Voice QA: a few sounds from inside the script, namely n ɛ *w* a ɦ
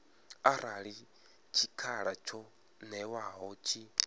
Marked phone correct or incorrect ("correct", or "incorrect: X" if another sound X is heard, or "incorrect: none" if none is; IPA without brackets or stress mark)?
correct